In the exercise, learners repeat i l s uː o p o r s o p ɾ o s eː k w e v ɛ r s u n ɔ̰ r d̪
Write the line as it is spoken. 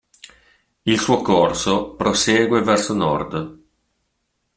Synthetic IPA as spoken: i l s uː o k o r s o p ɾ o s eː ɡ w e v ɛ r s o n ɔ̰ r d̪